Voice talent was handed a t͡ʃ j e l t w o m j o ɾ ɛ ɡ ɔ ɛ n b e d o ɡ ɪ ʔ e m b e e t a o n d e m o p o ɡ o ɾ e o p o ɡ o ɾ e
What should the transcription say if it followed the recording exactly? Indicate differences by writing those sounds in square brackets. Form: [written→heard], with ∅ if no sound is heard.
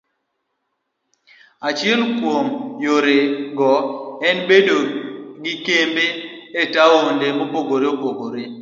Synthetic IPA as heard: a t͡ʃ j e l [t→k] w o m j o ɾ [ɛ→e] ɡ ɔ ɛ n b e d o ɡ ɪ [ʔ→k] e m b e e t a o n d e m o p o ɡ o ɾ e o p o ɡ o ɾ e